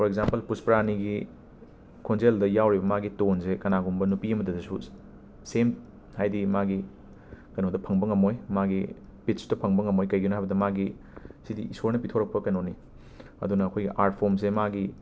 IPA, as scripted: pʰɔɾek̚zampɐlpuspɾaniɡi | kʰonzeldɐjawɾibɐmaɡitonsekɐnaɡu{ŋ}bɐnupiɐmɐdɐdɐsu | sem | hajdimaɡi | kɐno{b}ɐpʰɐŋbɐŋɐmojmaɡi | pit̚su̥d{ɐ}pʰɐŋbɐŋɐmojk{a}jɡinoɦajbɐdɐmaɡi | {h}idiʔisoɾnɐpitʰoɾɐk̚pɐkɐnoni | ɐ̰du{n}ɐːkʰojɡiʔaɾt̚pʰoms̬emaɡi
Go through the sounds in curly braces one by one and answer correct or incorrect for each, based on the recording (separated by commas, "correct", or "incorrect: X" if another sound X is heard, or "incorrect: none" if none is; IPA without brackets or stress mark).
incorrect: m, incorrect: d, correct, incorrect: ɐ, incorrect: s, correct